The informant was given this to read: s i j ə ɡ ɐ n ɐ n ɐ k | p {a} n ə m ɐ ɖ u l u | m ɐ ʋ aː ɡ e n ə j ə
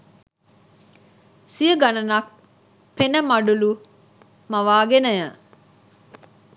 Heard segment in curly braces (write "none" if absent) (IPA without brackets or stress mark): e